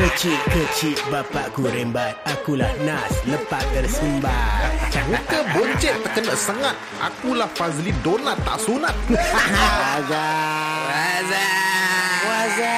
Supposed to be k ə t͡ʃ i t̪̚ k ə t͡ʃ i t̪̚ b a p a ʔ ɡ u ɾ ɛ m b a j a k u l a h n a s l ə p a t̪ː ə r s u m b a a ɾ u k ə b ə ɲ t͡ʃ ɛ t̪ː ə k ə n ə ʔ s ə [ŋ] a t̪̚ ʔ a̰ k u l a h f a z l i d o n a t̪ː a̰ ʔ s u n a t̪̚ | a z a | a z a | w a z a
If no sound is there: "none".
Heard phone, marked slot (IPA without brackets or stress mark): ŋ